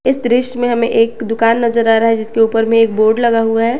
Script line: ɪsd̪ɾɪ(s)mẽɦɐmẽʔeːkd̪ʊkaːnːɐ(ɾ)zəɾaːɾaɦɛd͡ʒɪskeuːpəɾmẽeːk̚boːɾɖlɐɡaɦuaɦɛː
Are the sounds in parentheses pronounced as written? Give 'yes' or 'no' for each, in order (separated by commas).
no, no